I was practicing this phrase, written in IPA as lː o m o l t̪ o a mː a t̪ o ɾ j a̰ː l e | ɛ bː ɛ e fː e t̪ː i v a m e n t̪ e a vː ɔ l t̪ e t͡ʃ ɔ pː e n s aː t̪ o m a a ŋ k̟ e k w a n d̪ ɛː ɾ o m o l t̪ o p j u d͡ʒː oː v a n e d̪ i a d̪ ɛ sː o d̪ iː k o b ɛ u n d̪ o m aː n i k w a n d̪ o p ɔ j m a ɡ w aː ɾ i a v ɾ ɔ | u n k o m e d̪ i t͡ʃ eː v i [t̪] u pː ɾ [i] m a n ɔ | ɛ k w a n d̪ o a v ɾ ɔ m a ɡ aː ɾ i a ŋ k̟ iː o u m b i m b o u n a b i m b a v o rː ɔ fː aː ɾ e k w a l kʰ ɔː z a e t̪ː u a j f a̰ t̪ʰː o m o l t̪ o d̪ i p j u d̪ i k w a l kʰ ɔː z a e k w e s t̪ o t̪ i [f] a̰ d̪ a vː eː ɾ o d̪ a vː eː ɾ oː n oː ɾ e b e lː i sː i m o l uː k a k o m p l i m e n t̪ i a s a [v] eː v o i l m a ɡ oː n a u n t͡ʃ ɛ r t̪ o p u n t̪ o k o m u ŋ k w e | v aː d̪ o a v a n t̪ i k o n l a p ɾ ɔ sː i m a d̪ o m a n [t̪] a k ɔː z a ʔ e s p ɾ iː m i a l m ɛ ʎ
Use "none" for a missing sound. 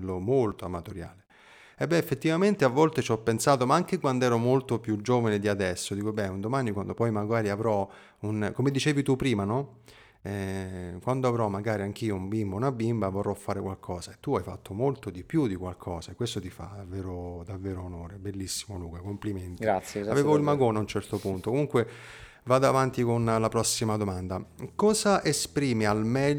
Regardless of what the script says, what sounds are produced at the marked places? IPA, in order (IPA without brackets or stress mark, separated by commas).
t̪, iː, f, v, d̪